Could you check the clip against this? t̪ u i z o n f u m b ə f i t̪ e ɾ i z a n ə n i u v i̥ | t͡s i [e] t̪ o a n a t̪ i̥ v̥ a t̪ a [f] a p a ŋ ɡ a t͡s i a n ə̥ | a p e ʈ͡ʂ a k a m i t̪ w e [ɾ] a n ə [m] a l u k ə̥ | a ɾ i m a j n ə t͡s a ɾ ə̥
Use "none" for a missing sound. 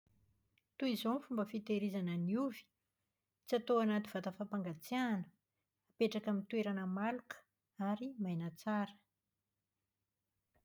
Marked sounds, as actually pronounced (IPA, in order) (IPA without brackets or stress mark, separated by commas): a, f, ɾ, m